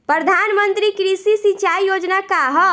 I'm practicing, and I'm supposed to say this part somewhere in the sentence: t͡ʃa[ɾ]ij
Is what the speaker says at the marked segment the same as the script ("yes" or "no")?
no